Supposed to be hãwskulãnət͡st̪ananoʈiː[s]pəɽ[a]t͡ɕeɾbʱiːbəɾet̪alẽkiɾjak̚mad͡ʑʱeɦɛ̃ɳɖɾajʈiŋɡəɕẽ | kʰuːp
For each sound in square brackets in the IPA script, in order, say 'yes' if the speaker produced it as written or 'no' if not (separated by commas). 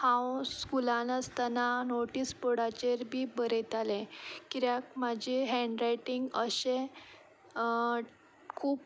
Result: yes, yes